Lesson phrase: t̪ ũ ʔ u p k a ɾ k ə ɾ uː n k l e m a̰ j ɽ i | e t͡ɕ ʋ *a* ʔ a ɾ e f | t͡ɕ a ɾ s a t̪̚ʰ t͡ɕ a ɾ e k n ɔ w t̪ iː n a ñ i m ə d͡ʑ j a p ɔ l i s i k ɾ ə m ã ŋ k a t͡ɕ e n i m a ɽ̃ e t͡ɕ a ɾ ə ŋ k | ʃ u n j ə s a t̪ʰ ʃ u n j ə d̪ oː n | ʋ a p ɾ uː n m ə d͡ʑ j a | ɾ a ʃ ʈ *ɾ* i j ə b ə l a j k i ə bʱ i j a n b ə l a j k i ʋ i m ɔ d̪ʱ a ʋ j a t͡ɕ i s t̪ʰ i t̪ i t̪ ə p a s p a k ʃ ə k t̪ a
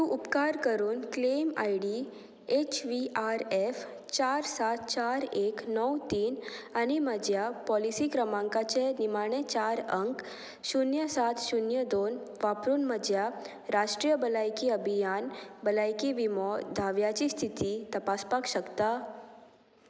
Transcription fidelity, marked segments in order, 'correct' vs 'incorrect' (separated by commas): incorrect, correct